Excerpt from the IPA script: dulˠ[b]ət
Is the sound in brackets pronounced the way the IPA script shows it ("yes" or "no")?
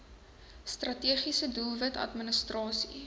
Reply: no